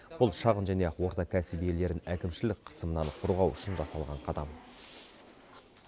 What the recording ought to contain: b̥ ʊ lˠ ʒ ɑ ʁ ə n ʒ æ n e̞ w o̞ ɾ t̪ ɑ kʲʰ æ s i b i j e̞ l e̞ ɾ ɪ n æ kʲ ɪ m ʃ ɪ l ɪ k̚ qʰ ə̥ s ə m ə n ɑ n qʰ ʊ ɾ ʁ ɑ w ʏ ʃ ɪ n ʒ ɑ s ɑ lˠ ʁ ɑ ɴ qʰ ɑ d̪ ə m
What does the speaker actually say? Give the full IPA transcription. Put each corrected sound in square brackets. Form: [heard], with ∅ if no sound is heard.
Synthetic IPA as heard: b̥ ʊ lˠ [ʃ] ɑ ʁ ə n ʒ æ n e̞ w o̞ ɾ t̪ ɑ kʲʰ æ s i b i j e̞ l e̞ ɾ ɪ n æ kʲ ɪ m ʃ ɪ l ɪ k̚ qʰ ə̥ s ə m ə n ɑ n qʰ ʊ ɾ ʁ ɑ w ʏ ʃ ɪ n ʒ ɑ s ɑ lˠ ʁ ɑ ɴ qʰ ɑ d̪ [ɑ] m

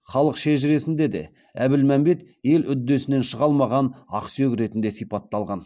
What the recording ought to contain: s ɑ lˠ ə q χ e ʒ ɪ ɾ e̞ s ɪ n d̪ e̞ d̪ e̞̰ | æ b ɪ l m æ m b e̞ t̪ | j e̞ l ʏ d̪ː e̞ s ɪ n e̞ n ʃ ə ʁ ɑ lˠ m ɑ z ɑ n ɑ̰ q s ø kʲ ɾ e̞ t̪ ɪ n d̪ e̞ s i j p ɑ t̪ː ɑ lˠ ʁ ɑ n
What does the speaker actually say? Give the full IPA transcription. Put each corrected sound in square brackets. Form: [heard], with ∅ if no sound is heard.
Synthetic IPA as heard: [χ] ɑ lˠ ə q [ʃ] e ʒ ɪ ɾ e̞ s ɪ n d̪ e̞ d̪ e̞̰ | æ b ɪ l m æ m b e̞ t̪ | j e̞ l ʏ d̪ː e̞ s ɪ n e̞ n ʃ ə ʁ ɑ lˠ m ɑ [ʁ] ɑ n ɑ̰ q s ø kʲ ɾ e̞ t̪ ɪ n d̪ e̞ s i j p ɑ t̪ː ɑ lˠ ʁ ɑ n

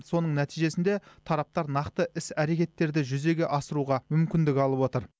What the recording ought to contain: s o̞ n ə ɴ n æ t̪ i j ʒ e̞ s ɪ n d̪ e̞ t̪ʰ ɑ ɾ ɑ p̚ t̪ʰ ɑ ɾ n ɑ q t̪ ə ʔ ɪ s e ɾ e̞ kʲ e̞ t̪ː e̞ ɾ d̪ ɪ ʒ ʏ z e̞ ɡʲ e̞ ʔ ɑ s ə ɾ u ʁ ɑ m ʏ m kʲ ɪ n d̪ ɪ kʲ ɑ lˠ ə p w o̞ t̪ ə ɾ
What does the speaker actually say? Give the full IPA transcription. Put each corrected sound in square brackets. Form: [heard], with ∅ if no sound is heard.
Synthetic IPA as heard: s o̞ n ə ɴ n æ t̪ i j ʒ e̞ s ɪ n d̪ e̞ t̪ʰ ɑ ɾ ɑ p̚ [t̪] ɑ ɾ n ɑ q t̪ ə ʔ ɪ s [æ] ɾ e̞ kʲ e̞ t̪ː e̞ ɾ d̪ ɪ ʒ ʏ z e̞ ɡʲ e̞ ʔ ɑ s ə ɾ u ʁ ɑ m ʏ m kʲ ɪ n d̪ ɪ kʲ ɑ lˠ ə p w o̞ t̪ ə ɾ

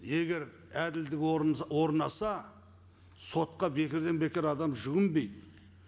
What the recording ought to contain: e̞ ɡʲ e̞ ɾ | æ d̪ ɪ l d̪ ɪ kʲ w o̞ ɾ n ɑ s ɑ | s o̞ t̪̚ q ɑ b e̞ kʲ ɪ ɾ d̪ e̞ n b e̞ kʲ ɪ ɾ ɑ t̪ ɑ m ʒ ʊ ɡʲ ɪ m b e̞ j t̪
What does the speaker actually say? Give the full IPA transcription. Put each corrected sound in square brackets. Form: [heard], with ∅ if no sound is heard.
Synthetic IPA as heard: e̞ ɡʲ e̞ ɾ | æ d̪ ɪ l d̪ ɪ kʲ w o̞ ɾ n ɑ s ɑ | s o̞ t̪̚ q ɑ b e̞ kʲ ɪ ɾ d̪ e̞ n b e̞ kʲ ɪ ɾ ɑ [d̪] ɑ m ʒ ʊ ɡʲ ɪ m b e̞ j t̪

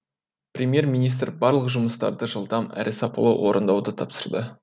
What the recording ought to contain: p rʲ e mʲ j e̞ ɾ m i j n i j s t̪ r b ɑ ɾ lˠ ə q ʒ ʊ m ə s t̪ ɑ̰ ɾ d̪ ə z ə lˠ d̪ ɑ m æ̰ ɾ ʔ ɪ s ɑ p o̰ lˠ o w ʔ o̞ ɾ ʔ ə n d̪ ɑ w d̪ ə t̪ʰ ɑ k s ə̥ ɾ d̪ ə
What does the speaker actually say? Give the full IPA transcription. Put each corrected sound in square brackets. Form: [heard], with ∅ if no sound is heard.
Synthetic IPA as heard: p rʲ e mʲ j e̞ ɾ m i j n i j s t̪ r b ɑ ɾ lˠ ə q ʒ ʊ m ə s t̪ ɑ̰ ɾ d̪ ə [ʒ] ə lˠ d̪ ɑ m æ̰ ɾ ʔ ɪ s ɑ p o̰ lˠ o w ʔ o̞ ɾ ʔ ə n d̪ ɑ w d̪ ə t̪ʰ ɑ [p] s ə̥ ɾ d̪ ə

